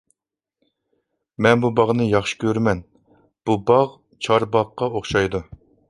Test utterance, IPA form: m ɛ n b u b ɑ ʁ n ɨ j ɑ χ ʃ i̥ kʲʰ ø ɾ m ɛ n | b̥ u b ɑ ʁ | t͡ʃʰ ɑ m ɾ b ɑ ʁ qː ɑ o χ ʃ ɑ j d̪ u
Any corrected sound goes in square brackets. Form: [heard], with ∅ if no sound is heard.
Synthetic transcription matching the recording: m ɛ n b u b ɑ ʁ n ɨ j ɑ χ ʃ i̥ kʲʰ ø ɾ m ɛ n | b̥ u b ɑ ʁ | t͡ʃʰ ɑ [∅] ɾ b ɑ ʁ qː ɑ o χ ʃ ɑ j d̪ u